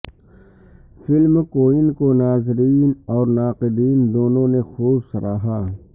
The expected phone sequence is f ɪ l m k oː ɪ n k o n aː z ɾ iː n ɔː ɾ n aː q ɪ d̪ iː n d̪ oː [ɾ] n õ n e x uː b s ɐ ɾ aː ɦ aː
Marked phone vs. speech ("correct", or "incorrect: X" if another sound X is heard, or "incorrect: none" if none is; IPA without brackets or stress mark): incorrect: none